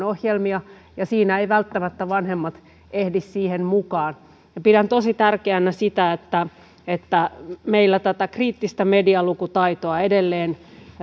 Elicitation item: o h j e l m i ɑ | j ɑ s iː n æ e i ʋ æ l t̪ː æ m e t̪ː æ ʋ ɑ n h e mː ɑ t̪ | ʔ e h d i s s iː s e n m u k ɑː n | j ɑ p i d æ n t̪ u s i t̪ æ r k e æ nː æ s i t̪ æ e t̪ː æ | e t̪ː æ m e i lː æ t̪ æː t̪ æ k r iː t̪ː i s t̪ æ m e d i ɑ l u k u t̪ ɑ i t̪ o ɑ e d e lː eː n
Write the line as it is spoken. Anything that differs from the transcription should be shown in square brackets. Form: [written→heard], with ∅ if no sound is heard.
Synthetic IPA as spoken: o h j e l m i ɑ | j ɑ s iː n æ e i ʋ æ l t̪ː æ m [e→æ] t̪ː æ ʋ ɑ n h e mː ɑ t̪ | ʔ e h d i s s iː [s→h] e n m u k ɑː n | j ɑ p i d æ n t̪ [u→o] s i t̪ æ r k e æ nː æ s i t̪ æ e t̪ː æ | e t̪ː æ m e i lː æ t̪ [æː→æ] t̪ æ k r iː t̪ː i s t̪ æ m e d i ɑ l u k u t̪ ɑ i t̪ o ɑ e d e lː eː n